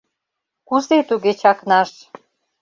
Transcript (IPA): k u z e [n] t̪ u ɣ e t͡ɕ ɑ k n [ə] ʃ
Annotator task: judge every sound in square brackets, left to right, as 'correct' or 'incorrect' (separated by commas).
incorrect, incorrect